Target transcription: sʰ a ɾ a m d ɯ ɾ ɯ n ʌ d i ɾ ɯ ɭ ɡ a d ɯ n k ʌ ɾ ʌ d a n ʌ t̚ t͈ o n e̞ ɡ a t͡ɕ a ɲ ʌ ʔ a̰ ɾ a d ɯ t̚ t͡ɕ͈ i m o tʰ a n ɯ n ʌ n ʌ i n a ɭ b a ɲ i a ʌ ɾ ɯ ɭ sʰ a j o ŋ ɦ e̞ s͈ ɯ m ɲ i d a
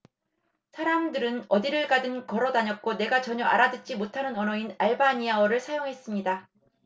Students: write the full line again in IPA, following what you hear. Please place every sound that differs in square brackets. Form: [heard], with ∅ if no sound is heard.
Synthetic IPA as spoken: sʰ a ɾ a m d ɯ ɾ ɯ n ʌ d i ɾ ɯ ɭ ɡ a d ɯ n k ʌ ɾ ʌ d a [ɲ] ʌ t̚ [k͈] o n e̞ ɡ a t͡ɕ [ʌ] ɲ ʌ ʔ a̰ ɾ a d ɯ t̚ t͡ɕ͈ i m o tʰ a n ɯ n ʌ n ʌ i n a ɭ b a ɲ i a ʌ ɾ ɯ ɭ sʰ a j o ŋ ɦ e̞ s͈ ɯ m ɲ i d a